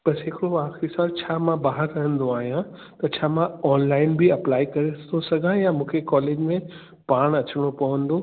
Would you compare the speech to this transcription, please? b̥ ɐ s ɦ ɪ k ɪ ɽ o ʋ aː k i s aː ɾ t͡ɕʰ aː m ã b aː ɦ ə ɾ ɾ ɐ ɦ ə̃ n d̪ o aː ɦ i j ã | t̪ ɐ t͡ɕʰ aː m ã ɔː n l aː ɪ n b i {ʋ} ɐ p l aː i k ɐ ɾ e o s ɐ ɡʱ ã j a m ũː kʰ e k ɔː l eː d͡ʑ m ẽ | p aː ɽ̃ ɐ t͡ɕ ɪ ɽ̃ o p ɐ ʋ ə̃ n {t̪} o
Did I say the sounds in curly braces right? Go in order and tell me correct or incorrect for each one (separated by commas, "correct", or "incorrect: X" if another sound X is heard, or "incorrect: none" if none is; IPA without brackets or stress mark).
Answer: incorrect: none, incorrect: d̪